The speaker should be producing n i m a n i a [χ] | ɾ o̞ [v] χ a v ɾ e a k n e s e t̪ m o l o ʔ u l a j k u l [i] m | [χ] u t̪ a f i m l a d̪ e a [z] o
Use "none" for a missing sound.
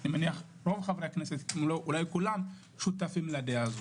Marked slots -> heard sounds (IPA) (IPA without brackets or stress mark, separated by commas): χ, v, a, ʃ, z